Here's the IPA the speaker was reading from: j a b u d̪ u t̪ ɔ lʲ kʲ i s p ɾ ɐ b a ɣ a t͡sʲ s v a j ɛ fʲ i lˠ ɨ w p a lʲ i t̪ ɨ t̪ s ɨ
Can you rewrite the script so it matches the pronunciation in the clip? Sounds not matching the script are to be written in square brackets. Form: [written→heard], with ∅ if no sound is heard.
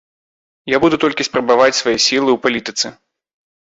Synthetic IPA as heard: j a b u d̪ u t̪ ɔ lʲ kʲ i s p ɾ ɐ b a [ɣ→v] a t͡sʲ s v a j ɛ [fʲ→sʲ] i lˠ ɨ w p a lʲ i t̪ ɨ t̪ s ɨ